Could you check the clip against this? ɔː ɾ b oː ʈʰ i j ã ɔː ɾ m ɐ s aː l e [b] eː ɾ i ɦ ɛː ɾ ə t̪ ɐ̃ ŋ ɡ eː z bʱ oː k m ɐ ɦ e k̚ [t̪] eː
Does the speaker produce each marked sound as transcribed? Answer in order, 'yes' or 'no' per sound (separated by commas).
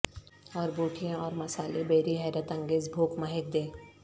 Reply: yes, no